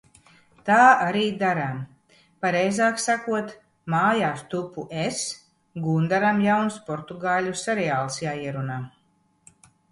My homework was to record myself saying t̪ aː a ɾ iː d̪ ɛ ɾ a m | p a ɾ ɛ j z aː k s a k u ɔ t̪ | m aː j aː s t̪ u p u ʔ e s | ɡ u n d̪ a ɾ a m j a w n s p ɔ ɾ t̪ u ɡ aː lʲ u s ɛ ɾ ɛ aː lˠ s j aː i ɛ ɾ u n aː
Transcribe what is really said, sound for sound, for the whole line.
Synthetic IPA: t̪ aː a ɾ iː d̪ a ɾ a m | p a ɾ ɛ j z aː k s a k u ɔ t̪ | m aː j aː s t̪ u p u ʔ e s | ɡ u n d̪ a ɾ a m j a w n s p ɔ ɾ t̪ u ɡ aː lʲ u s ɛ ɾ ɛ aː lˠ s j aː i ɛ ɾ u n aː